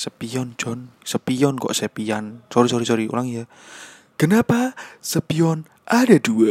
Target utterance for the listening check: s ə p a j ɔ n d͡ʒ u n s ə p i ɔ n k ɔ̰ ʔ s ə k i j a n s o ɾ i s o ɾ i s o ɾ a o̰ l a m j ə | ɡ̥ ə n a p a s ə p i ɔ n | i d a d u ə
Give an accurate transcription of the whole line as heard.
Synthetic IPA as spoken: s ə p i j ɔ n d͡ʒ ɔ n s ə p i ɔ n k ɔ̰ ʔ s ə p i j a n s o ɾ i s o ɾ i s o ɾ i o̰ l a ŋ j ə | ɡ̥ ə n a p a s ə p i ɔ n | a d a d u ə